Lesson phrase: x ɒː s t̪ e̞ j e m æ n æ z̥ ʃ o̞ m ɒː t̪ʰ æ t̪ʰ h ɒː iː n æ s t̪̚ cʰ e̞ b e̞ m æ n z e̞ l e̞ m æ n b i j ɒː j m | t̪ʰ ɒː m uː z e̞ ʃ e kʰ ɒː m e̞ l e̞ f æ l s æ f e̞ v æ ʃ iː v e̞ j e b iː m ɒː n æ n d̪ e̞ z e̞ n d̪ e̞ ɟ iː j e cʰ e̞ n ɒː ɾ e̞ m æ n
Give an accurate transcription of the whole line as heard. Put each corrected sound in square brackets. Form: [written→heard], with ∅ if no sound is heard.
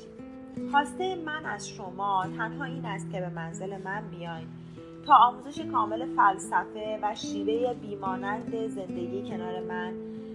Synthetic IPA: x ɒː s t̪ e̞ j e m æ n æ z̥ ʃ o̞ m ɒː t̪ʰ æ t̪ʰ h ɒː iː n æ s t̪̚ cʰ e̞ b e̞ m æ n z e̞ l e̞ m æ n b i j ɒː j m | t̪ʰ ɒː m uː z e̞ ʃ e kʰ ɒː m e̞ l e̞ f æ l s æ f e̞ v æ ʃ iː v e̞ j e b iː m ɒː n æ n d̪ e̞ z e̞ n d̪ e̞ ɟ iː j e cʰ e̞ n ɒː ɾ e̞ m æ n